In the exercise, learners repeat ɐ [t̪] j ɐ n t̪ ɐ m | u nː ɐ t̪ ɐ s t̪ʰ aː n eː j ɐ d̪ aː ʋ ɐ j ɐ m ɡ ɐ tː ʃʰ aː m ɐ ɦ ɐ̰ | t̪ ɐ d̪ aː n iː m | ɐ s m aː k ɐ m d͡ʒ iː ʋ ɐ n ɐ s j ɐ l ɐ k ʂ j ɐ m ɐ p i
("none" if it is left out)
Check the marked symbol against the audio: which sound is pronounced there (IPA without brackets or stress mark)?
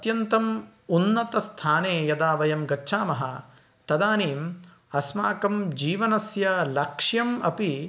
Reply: t̪